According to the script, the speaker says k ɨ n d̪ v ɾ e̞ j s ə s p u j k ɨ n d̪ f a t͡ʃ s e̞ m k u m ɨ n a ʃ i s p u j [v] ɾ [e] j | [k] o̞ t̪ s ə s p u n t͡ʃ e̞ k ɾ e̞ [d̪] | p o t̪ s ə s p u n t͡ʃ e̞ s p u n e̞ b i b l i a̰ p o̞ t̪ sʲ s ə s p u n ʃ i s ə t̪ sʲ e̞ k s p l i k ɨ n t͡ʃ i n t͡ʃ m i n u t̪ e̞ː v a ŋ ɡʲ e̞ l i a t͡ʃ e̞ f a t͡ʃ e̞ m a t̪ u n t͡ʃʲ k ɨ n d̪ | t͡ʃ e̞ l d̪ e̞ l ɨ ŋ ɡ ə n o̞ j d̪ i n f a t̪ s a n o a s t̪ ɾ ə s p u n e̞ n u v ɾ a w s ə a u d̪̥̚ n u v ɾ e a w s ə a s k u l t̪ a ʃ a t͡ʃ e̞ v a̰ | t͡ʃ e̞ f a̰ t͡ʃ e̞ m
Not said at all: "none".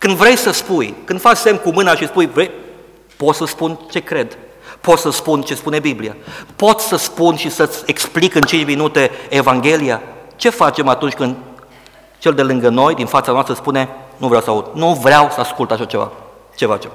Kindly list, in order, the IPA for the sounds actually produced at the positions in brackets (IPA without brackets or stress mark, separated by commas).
v, e, p, d̪